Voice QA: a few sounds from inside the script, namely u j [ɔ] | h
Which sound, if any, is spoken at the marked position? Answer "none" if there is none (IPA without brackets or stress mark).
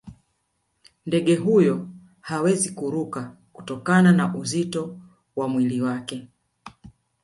ɔ